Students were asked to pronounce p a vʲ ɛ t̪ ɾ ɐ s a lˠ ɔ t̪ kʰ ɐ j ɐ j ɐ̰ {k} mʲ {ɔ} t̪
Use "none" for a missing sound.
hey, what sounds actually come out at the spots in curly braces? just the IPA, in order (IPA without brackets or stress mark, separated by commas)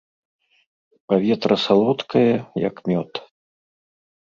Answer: k, ɔ